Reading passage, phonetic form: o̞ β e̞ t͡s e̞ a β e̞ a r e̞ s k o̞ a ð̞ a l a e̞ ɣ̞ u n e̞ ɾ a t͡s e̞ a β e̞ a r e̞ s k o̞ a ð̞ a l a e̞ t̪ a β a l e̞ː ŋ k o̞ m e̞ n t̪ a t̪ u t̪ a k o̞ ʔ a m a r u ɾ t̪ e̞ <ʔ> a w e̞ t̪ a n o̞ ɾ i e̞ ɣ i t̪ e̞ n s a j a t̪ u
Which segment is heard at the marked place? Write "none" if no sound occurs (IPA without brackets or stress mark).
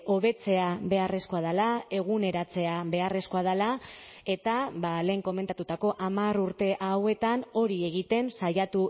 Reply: ʔ